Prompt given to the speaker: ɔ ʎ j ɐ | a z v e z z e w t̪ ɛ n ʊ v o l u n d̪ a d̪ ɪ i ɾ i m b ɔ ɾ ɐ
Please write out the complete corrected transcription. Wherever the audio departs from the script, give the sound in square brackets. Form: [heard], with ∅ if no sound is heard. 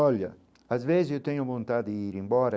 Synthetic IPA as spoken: ɔ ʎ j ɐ | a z v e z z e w t̪ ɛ [ɲ] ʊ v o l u n [t̪] a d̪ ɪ i ɾ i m b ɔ ɾ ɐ